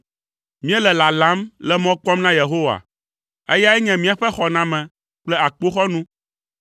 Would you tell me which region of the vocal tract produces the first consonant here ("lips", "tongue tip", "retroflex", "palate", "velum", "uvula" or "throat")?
lips